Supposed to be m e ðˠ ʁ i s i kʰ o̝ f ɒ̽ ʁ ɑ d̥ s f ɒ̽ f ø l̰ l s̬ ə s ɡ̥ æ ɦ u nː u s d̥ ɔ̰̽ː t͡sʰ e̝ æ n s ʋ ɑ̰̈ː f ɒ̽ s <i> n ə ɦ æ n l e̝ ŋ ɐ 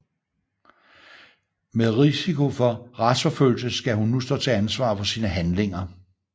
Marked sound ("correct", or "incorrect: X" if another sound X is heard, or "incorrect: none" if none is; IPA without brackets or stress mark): incorrect: iː